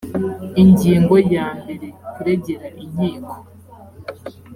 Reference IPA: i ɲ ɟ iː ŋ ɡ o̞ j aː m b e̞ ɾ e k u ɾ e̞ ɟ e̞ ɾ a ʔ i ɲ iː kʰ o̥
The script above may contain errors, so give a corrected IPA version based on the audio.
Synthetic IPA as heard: i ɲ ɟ iː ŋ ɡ o̞ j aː m b e̞ ɾ e k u ɾ e̞ ɟ e̞ ɾ a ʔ i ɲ iː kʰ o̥